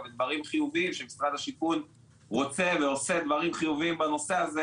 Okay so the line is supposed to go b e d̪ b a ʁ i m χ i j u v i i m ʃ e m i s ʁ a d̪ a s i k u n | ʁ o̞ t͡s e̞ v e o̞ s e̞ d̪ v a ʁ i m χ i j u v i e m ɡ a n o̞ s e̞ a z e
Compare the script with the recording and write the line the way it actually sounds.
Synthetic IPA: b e d̪ v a ʁ i m χ i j u v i i m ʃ e m i s ʁ a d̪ a ʃ i k u n | ʁ o̞ t͡s e̞ v e o̞ s e̞ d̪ v a ʁ i m χ i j u v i i m b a n o̞ s e̞ a z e